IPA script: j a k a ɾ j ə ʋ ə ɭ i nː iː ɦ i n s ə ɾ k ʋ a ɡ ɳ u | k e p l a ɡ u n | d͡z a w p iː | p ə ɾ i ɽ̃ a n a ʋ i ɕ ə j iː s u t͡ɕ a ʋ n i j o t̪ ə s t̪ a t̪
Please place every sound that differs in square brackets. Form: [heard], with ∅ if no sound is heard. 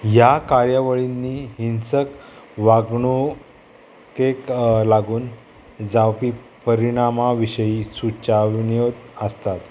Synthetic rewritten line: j a k a ɾ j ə ʋ ə ɭ i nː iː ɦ i n s ə [∅] k ʋ a ɡ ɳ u | k e [k] l a ɡ [uː] n | d͡z a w p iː | p ə ɾ i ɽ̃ a [m] a ʋ i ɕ ə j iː s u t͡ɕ a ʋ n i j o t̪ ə s t̪ a t̪